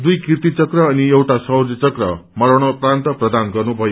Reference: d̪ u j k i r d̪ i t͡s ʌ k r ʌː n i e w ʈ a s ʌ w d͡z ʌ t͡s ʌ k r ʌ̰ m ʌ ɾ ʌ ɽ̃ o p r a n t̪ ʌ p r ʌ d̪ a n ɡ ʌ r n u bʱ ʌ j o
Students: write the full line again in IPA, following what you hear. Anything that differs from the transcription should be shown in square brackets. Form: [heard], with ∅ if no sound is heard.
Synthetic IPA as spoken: d̪ u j k i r [t̪] i t͡s ʌ k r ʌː n i e w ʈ a s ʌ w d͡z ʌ t͡s ʌ k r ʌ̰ m ʌ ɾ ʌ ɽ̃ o p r a n t̪ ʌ p r ʌ d̪ a n ɡ ʌ r n u bʱ ʌ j o